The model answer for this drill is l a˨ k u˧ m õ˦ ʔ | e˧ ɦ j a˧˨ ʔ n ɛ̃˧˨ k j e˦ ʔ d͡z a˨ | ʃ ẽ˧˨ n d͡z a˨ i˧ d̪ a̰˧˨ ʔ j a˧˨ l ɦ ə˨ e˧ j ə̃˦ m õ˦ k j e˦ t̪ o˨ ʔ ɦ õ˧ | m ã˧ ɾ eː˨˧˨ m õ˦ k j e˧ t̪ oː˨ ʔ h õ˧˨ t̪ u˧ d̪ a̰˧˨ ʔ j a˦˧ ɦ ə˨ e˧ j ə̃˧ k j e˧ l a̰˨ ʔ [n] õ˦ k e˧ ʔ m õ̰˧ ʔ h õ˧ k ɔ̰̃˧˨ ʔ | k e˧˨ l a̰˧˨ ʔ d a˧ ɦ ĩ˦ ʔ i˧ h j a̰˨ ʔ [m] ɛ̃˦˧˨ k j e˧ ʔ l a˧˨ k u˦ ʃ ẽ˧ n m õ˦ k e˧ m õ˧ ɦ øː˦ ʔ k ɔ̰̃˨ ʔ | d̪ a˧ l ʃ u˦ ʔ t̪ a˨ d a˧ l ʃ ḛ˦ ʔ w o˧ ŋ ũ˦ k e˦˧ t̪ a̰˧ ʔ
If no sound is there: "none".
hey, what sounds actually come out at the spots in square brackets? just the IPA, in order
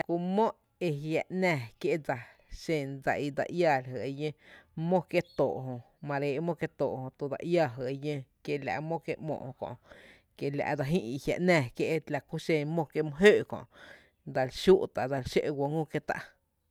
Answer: m, n

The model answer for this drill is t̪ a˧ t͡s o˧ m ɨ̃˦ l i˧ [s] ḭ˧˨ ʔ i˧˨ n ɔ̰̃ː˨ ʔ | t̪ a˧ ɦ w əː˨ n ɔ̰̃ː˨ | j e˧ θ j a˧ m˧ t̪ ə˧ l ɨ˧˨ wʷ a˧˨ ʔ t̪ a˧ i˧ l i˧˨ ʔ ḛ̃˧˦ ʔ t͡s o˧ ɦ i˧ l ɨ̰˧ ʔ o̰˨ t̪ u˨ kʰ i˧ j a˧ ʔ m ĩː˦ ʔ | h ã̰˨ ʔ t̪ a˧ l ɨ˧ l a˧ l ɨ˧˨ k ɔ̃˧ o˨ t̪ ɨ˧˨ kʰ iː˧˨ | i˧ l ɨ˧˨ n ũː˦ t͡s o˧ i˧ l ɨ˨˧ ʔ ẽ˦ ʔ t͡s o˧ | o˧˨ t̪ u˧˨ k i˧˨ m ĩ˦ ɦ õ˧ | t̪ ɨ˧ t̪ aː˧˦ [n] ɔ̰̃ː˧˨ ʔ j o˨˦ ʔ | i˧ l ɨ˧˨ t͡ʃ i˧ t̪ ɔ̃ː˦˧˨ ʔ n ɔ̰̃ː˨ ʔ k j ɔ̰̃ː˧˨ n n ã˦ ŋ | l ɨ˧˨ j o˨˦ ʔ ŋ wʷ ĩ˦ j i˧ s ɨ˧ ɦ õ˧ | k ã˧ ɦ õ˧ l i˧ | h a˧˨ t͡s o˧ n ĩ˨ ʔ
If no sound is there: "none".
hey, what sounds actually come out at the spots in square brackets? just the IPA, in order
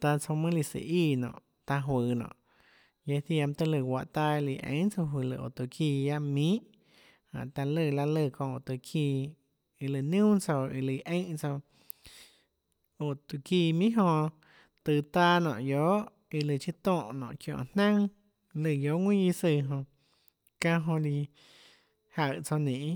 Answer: s, n

